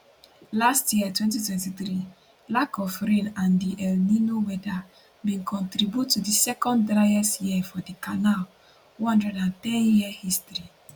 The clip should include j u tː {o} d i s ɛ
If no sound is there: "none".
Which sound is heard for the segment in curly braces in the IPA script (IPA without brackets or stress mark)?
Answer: u